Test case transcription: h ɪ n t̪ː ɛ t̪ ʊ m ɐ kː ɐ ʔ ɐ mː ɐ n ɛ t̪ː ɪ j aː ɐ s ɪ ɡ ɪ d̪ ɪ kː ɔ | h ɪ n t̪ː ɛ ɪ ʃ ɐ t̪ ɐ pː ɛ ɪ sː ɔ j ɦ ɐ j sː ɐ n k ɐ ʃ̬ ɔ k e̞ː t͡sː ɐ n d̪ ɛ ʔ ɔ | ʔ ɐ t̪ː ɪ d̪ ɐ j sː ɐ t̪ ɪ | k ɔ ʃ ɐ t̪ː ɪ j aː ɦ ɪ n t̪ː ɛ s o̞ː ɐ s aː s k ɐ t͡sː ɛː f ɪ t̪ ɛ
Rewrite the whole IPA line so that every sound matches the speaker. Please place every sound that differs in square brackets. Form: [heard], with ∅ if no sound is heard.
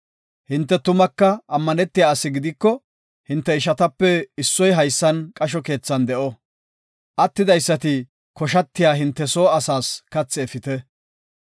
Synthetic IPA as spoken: h ɪ n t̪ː ɛ t̪ ʊ m ɐ kː ɐ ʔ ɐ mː ɐ n ɛ t̪ː ɪ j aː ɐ s ɪ ɡ ɪ d̪ ɪ kː ɔ | h ɪ n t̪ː ɛ ɪ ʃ ɐ t̪ ɐ pː ɛ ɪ sː ɔ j ɦ ɐ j sː ɐ n [kʼ] ɐ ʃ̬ ɔ k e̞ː t͡sː ɐ n d̪ ɛ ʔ ɔ | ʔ ɐ t̪ː ɪ d̪ ɐ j sː ɐ t̪ ɪ | k ɔ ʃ ɐ t̪ː ɪ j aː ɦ ɪ n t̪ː ɛ s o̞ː ɐ s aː s k ɐ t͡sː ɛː f ɪ t̪ ɛ